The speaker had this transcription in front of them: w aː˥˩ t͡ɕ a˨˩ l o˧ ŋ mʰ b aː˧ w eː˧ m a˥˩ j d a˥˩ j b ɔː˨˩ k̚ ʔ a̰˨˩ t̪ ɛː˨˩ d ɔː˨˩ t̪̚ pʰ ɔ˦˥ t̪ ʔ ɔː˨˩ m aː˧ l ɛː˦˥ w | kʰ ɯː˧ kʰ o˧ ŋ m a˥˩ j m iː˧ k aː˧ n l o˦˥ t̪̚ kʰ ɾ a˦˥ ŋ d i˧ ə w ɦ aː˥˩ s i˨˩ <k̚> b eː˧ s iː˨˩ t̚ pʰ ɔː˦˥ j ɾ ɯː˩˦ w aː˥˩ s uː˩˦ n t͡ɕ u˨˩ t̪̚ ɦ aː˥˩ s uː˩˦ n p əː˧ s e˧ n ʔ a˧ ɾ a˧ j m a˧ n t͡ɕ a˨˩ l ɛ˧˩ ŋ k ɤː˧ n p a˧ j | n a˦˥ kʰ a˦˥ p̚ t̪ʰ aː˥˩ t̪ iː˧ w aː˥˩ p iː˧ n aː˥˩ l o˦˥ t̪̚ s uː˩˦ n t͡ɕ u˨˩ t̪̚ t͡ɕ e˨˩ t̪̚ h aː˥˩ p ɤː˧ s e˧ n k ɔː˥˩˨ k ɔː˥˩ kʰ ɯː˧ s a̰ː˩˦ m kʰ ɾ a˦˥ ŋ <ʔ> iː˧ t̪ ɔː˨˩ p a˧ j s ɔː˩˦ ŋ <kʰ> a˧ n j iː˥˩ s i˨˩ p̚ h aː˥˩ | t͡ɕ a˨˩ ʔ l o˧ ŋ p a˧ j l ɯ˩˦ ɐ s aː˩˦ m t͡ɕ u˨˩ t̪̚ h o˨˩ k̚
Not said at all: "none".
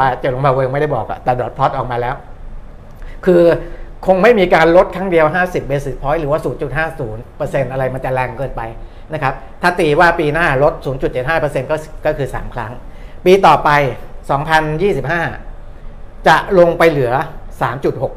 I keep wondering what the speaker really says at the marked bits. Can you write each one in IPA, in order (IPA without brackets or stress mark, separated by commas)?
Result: p̚, p, pʰ